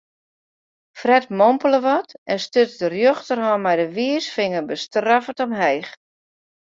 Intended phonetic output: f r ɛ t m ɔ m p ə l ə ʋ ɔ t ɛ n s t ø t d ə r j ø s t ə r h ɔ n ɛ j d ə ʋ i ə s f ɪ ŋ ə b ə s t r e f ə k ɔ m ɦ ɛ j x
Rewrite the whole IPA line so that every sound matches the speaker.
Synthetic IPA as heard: f r ɛ t m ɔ m p ə l ə ʋ ɔ t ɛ n s t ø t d ə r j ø x t ə r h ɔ m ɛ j d ə ʋ i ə s f ɪ ŋ ə b ə s t r a f ə t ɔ m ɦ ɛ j x